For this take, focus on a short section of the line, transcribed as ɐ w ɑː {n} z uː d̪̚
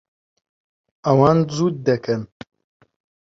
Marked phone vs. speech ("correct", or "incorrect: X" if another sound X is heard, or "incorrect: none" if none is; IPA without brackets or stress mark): correct